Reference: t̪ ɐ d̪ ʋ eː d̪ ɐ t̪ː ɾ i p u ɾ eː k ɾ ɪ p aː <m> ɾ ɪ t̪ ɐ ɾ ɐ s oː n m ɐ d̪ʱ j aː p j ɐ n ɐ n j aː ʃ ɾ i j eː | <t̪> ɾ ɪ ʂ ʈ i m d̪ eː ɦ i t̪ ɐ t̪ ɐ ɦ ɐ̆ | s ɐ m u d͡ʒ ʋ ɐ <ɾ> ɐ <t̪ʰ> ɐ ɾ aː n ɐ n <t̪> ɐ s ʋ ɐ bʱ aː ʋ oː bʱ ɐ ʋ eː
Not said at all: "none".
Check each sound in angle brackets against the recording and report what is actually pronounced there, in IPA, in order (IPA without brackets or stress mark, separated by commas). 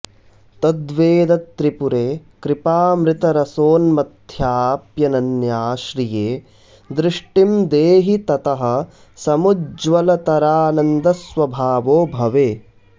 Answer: m, d̪, l, t̪, d̪